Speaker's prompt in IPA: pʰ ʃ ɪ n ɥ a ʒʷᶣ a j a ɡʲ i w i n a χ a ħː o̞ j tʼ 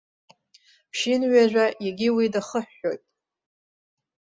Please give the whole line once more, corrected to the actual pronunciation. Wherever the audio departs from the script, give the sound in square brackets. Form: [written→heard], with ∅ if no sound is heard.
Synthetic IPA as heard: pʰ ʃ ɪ n ɥ a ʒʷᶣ a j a ɡʲ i w i [n→d] a χ [a→ə] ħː o̞ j tʼ

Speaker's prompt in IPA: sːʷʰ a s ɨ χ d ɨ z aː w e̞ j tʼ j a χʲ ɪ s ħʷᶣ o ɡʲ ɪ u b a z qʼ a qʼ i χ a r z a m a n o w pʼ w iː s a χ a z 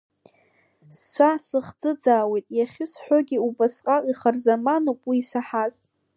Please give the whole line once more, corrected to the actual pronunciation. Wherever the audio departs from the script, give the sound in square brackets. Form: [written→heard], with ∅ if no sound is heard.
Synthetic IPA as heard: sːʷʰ a s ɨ χ [d→d͡z] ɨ [z→d͡z] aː w e̞ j tʼ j a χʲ ɪ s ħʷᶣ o ɡʲ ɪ u b a [z→s] qʼ a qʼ i χ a r z a m a n o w pʼ w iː s a [χ→ħ] a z

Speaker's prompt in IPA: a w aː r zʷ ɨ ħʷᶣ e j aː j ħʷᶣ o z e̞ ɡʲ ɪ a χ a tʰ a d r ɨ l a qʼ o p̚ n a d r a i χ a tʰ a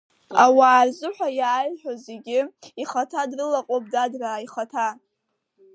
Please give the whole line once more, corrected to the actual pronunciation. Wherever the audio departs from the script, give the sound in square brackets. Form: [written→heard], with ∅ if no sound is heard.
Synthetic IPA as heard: a w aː r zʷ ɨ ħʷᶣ [e→a] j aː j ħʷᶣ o z e̞ ɡʲ ɪ [a→i] χ a tʰ a d r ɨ l a qʼ o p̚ [n→d] a d r a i χ a tʰ a

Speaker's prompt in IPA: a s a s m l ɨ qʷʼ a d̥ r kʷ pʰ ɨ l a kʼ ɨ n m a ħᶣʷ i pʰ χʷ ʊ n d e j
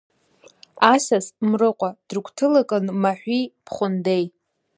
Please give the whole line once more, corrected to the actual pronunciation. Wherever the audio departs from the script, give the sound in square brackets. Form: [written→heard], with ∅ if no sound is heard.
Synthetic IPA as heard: a s a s m [l→r] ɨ qʷʼ a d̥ r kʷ [pʰ→tʰ] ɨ l a kʼ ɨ n m a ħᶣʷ i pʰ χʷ ʊ n d e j

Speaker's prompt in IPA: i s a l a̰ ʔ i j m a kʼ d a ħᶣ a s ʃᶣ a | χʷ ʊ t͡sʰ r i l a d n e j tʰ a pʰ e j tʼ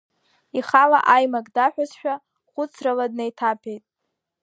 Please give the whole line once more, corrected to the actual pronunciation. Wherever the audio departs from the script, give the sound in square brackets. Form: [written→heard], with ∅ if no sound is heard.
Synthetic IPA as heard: i [s→χ] a l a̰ ʔ [i→a] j m a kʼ d a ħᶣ a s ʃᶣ a | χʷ ʊ t͡sʰ r [i→a] l a d n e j tʰ a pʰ e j tʼ

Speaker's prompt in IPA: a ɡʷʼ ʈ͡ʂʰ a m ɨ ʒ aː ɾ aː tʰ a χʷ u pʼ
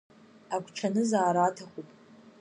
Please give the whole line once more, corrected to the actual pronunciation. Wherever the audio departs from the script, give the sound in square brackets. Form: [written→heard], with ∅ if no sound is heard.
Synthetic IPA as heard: a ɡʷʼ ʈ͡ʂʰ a [m→n] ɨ [ʒ→z] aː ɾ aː tʰ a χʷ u pʼ

